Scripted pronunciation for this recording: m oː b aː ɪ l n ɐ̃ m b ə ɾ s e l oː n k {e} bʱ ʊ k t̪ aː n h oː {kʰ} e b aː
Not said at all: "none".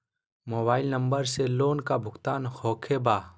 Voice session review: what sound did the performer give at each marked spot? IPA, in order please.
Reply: a, kʰ

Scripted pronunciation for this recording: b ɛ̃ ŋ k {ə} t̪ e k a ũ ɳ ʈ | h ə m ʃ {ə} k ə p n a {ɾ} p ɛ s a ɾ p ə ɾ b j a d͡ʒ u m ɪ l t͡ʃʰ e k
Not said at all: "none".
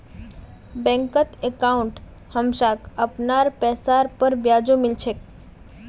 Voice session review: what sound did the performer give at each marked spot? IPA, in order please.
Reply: ə, a, ɾ

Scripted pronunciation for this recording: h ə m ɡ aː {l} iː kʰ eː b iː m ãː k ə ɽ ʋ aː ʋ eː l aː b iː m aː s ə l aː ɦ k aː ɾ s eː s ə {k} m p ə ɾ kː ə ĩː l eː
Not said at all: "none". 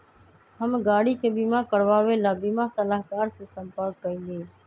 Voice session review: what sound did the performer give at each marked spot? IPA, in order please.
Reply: ɽ, none

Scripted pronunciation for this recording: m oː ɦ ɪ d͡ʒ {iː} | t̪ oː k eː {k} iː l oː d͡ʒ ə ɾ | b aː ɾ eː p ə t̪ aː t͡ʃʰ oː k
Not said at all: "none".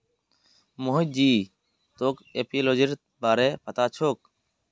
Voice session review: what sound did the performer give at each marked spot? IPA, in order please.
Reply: iː, p

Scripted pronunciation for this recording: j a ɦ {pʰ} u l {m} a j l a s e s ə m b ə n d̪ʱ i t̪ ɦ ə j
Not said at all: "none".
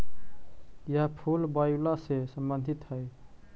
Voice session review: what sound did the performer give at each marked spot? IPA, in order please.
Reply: pʰ, b

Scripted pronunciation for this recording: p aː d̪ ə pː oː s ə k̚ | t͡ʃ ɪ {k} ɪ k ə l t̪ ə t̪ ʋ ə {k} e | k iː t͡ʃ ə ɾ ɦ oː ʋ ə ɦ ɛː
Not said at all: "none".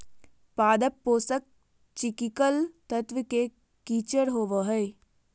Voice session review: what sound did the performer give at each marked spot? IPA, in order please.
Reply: k, k

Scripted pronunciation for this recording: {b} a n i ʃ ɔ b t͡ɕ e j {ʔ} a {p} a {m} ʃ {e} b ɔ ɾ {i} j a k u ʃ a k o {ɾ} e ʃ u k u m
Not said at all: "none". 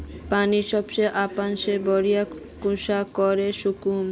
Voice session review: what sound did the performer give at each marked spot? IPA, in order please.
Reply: p, ʔ, p, n, e, i, ɾ

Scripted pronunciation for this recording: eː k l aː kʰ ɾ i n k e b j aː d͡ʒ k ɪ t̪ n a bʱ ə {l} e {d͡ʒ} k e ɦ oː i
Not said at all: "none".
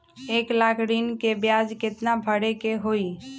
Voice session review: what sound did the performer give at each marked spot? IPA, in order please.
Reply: ɽ, none

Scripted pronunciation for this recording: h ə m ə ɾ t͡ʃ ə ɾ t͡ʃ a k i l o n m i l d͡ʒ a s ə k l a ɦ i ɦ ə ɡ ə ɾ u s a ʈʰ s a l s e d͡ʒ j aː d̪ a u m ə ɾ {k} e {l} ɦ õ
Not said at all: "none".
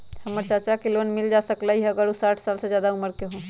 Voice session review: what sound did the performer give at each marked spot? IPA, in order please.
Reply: k, none

